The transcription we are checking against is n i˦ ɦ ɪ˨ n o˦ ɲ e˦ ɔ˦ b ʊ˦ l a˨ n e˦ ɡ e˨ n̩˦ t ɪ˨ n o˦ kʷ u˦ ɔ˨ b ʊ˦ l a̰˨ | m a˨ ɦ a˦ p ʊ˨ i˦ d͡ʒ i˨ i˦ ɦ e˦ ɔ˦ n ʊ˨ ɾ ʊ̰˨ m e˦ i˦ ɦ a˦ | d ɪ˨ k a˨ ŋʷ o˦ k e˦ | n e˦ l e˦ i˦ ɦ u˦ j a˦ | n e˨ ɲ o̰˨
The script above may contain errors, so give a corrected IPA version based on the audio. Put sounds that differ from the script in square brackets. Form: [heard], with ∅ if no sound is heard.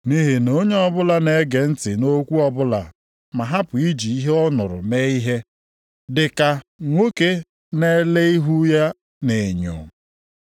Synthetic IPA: n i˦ ɦ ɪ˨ n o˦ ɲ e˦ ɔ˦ b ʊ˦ l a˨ n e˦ ɡ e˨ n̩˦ t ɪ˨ n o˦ kʷ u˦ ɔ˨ b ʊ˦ l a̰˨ | m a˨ ɦ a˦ p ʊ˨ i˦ d͡ʒ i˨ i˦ ɦ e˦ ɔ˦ n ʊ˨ ɾ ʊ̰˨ m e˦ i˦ ɦ [e˦] | d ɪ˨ k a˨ ŋʷ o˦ k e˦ | n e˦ l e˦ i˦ ɦ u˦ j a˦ | n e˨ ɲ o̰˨